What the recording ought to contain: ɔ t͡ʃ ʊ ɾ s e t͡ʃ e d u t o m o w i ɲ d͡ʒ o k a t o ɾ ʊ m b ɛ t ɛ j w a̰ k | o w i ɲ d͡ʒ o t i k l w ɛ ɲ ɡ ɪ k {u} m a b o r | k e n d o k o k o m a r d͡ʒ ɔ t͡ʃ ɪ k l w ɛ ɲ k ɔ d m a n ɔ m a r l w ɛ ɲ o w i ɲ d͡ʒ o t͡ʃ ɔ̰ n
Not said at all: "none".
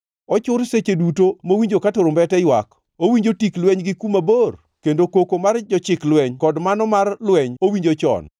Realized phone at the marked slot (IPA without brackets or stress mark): u